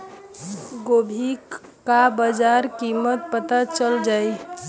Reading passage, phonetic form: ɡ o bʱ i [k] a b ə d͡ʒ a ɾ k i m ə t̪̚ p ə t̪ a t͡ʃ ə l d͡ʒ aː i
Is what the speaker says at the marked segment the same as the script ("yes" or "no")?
yes